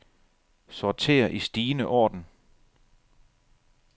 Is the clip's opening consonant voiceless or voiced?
voiceless